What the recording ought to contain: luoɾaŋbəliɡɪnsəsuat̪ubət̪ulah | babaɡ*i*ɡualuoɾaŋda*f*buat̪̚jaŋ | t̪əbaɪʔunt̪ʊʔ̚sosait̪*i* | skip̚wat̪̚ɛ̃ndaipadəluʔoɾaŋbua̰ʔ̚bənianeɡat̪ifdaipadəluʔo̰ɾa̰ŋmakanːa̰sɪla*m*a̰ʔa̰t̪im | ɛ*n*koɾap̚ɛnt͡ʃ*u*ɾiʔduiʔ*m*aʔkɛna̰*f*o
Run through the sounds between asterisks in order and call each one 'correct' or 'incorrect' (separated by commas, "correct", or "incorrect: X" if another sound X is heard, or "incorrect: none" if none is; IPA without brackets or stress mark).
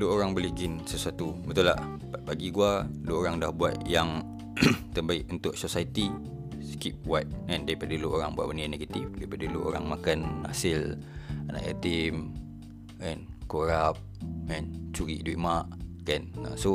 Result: correct, incorrect: h, correct, incorrect: n, correct, correct, correct, incorrect: s